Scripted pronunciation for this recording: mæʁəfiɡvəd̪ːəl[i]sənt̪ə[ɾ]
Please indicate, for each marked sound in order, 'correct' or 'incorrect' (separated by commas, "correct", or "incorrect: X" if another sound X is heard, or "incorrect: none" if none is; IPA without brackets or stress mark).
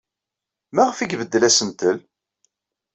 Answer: incorrect: æ, incorrect: l